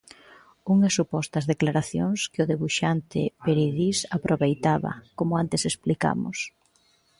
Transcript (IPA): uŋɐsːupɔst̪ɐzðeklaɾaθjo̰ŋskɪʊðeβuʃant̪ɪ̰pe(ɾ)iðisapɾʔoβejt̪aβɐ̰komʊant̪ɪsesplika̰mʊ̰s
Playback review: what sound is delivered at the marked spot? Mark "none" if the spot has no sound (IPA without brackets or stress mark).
ɾ